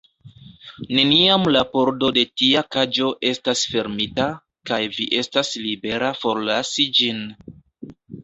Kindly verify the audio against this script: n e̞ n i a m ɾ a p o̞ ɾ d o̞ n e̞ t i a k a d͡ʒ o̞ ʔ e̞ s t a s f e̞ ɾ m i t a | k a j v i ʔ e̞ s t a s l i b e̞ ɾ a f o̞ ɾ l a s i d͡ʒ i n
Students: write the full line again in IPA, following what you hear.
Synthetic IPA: n e̞ n i a m l a p o̞ ɾ d o̞ d e̞ t i a k a d͡ʒ o̞ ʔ e̞ s t a s f e̞ ɾ m i t a | k a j v i ʔ e̞ s t a s l i b e̞ ɾ a f o̞ ɾ l a s i d͡ʒ i n